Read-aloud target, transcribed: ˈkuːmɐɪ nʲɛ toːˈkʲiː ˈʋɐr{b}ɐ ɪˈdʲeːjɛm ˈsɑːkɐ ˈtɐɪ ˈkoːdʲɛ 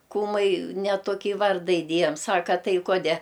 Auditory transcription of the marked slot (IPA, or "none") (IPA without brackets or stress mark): d